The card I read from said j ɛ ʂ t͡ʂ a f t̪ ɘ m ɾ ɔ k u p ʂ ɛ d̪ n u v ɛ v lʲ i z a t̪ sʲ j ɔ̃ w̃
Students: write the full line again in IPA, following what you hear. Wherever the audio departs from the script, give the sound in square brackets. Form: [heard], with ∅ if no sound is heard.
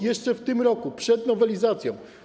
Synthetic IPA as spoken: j ɛ ʂ t͡ʂ [ɛ] f t̪ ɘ m ɾ ɔ k u p ʂ ɛ d̪ n [ɔ] v ɛ [∅] lʲ i z a t̪ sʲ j ɔ̃ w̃